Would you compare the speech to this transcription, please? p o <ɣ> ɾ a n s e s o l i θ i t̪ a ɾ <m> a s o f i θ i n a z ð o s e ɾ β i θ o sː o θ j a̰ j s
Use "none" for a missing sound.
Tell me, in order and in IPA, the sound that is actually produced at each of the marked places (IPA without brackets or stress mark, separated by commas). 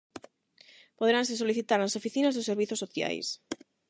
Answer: ð, n